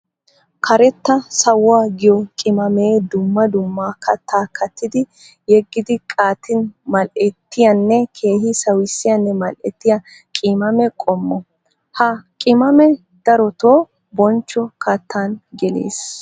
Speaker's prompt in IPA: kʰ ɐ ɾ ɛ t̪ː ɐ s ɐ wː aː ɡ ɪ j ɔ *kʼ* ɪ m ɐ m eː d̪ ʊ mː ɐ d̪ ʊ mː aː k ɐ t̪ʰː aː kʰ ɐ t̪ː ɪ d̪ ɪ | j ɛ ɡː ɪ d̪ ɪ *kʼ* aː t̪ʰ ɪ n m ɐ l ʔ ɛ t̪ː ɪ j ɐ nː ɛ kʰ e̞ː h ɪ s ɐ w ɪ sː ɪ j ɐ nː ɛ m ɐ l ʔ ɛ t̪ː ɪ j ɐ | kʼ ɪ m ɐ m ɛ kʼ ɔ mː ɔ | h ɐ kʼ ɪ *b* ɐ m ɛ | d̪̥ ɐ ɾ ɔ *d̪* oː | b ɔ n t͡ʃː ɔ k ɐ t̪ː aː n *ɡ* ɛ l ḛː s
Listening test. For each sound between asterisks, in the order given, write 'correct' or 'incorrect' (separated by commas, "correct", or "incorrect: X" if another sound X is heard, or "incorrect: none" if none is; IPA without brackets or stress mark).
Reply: correct, correct, incorrect: m, incorrect: t̪, correct